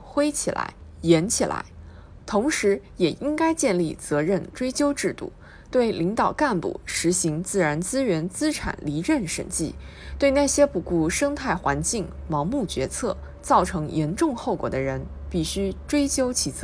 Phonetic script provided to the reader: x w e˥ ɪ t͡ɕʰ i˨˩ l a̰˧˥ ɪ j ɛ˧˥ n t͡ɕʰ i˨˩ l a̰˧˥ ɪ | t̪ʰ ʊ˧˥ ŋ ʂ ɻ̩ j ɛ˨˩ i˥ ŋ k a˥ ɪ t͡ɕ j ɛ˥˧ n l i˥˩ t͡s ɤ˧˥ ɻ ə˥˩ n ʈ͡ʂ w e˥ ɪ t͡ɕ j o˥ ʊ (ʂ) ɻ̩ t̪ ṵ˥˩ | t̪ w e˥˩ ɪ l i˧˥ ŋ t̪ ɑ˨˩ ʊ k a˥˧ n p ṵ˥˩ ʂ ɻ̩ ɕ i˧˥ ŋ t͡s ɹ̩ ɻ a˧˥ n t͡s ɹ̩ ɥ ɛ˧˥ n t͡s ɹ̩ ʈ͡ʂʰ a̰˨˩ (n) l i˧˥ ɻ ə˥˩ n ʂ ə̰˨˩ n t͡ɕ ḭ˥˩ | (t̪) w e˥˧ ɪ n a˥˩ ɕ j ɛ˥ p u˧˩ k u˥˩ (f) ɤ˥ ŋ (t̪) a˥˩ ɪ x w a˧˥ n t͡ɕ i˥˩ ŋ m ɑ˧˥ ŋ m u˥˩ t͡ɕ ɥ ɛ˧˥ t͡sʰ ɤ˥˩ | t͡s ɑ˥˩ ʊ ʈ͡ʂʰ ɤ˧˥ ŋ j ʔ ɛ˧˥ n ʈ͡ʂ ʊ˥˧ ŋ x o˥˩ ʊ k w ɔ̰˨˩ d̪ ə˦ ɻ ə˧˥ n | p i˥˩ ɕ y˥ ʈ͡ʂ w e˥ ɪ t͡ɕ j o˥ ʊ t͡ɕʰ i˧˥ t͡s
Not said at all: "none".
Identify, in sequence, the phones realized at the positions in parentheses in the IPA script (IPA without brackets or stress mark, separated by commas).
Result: ʈ͡ʂ, n, t̪, ʂ, t̪ʰ